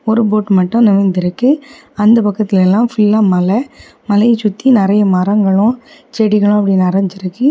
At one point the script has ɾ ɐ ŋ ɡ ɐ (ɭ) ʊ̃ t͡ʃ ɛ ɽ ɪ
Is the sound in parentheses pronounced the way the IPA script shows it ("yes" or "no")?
yes